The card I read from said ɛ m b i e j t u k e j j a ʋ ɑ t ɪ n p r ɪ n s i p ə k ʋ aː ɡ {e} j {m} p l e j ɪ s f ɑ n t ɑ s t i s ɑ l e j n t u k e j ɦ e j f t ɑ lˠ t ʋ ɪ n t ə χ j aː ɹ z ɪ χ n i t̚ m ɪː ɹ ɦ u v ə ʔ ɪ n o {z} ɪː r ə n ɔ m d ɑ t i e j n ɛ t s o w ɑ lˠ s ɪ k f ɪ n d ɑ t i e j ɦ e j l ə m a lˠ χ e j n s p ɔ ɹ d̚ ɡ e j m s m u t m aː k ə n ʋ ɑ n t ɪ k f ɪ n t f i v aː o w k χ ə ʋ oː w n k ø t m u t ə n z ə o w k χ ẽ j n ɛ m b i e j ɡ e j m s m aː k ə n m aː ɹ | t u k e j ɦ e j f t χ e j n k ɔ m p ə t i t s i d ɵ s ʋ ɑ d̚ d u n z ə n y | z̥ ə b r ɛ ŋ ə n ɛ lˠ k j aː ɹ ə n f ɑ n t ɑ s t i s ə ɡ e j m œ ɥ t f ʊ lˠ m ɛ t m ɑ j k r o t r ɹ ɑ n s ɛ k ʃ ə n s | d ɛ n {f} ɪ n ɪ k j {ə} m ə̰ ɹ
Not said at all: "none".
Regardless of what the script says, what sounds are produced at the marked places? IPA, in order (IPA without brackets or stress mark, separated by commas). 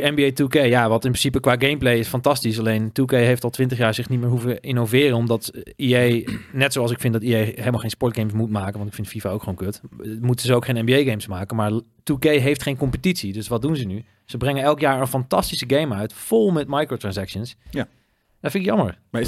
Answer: e, m, v, f, ɑ